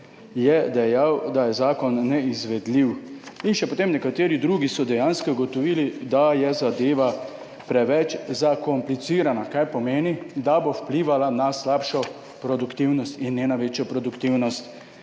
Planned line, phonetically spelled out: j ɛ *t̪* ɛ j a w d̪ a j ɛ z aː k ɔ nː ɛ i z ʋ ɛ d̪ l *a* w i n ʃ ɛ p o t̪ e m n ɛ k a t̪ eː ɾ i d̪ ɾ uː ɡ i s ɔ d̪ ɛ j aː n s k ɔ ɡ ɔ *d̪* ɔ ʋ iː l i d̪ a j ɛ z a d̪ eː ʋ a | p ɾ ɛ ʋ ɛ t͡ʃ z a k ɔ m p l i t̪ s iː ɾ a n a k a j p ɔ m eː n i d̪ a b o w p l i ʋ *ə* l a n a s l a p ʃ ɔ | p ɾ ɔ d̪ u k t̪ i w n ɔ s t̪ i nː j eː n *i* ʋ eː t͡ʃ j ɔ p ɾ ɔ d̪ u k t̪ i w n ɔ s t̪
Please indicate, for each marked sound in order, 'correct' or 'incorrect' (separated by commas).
incorrect, incorrect, incorrect, incorrect, incorrect